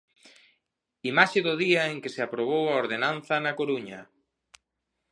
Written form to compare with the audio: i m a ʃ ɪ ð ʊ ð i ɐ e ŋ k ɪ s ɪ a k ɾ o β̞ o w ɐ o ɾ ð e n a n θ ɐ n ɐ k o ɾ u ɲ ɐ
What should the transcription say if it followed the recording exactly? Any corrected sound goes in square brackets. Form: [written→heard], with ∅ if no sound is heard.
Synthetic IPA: i m a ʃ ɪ ð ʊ ð i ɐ e ŋ k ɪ s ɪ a [k→p] ɾ o β̞ o w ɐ o ɾ ð e n a n θ ɐ n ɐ k o ɾ u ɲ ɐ